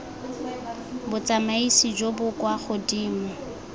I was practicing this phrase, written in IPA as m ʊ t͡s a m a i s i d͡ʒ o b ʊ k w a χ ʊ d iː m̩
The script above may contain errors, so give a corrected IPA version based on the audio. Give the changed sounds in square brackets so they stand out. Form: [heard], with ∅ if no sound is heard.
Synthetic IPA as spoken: [b] ʊ t͡s a m a i s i d͡ʒ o b ʊ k w a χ ʊ d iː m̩